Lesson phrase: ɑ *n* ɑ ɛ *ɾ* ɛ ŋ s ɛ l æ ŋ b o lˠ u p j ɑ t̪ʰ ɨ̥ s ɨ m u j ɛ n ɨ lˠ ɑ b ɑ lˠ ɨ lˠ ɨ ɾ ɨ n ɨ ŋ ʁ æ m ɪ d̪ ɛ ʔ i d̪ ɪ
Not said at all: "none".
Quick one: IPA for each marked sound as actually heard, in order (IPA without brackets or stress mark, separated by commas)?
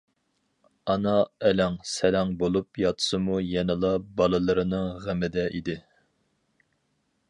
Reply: n, l